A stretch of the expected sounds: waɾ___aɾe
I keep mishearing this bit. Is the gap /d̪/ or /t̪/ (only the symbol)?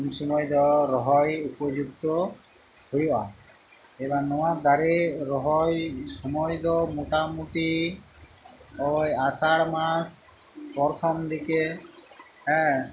d̪